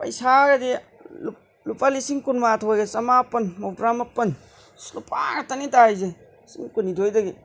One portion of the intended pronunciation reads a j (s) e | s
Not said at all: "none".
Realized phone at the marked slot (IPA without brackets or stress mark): z